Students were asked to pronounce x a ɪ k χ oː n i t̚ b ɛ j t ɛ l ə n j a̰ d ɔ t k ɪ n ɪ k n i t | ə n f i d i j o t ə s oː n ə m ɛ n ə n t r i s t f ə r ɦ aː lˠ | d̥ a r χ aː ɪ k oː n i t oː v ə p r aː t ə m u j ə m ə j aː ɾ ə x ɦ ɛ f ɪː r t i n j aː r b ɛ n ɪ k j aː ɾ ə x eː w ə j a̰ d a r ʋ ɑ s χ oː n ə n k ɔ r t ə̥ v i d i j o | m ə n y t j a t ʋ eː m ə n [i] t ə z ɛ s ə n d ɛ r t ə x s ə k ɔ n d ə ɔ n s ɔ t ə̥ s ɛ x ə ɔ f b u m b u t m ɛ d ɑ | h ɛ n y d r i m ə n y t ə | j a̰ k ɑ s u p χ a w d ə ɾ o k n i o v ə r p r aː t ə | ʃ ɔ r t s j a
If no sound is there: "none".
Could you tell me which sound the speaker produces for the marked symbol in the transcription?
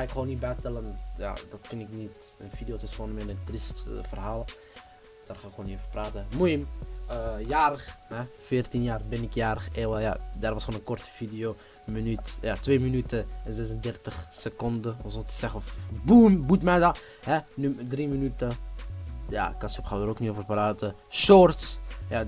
y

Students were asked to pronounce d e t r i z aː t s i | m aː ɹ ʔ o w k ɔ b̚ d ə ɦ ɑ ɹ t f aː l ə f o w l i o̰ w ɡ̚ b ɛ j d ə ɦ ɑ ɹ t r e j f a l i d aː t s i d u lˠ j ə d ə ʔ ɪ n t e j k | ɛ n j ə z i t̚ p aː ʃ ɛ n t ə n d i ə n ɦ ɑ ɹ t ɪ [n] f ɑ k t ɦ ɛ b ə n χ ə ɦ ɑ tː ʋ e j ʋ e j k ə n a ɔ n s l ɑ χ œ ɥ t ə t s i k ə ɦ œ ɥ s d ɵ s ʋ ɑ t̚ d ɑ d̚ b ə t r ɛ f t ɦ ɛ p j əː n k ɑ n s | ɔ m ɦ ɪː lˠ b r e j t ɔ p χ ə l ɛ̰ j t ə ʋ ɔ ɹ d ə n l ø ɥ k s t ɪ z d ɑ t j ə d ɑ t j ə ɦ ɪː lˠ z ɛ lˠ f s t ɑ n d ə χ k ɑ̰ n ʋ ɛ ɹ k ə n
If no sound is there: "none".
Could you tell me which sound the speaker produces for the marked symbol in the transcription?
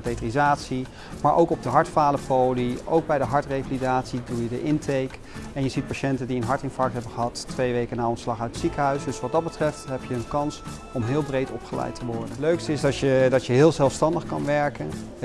n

